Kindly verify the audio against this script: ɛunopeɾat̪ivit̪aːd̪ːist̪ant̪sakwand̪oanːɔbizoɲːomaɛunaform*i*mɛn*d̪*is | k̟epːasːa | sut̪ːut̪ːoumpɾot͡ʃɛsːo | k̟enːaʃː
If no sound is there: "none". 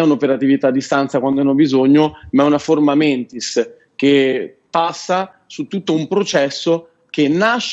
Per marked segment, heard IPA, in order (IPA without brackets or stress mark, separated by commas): a, t̪